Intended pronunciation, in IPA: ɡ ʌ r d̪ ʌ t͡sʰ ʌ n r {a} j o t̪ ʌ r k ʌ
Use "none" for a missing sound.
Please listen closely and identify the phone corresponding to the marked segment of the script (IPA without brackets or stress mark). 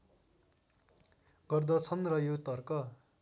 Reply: ʌ